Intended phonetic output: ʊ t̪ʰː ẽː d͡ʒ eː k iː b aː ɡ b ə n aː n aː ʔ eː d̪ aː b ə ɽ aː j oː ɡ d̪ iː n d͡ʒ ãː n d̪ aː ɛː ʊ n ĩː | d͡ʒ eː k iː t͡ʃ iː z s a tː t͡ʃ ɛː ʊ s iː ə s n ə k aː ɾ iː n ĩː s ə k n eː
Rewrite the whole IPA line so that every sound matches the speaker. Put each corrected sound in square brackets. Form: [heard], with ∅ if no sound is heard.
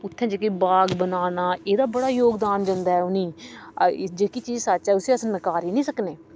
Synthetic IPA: ʊ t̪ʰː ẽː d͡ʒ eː k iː b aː ɡ b ə n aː n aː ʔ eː d̪ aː b ə ɽ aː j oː ɡ d̪ [aː] n d͡ʒ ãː n d̪ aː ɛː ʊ n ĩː | d͡ʒ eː k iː t͡ʃ iː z s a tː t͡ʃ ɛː ʊ s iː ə s n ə k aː ɾ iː n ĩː s ə k n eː